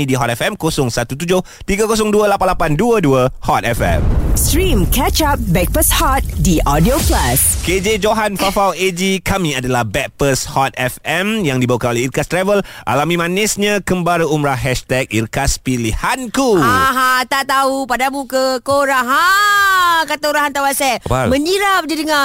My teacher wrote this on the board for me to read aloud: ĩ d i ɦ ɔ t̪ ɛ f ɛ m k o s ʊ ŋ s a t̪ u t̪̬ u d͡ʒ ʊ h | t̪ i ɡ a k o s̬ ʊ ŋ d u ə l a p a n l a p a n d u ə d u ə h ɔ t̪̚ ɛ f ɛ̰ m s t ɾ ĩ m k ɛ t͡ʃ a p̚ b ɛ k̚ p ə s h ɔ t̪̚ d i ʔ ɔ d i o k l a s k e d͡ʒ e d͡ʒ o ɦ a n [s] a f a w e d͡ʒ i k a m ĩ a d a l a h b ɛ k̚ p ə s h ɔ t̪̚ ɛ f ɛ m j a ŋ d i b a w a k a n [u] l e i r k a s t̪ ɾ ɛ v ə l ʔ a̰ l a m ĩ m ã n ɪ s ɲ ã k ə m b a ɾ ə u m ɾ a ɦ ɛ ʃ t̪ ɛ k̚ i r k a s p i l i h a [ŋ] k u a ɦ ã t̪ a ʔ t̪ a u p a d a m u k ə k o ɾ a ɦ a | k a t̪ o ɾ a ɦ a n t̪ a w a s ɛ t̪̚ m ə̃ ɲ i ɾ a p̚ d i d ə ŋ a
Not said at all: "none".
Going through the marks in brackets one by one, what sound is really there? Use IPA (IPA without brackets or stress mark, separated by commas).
f, o, n